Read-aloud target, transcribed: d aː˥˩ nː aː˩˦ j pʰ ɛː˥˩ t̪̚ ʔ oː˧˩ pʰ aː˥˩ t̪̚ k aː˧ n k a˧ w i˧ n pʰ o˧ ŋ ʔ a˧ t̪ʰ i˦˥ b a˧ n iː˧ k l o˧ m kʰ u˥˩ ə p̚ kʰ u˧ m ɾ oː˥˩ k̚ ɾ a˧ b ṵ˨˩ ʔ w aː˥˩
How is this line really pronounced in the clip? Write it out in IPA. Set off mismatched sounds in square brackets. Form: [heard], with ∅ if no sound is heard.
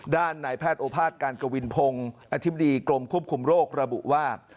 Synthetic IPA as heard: d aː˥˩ nː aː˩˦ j pʰ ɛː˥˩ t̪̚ ʔ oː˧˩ pʰ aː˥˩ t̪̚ k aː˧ n k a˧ w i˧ n pʰ o˧ ŋ ʔ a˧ t̪ʰ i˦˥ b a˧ [d] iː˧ k l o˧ m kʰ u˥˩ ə p̚ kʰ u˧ m ɾ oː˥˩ k̚ ɾ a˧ b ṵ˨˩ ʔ w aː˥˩